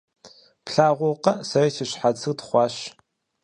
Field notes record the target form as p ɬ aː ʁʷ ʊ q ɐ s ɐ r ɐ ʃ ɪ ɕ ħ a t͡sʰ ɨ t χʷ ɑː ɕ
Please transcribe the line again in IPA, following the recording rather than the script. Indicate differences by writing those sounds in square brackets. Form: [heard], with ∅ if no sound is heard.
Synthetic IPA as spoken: p ɬ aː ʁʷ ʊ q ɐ s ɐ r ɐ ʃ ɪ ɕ ħ a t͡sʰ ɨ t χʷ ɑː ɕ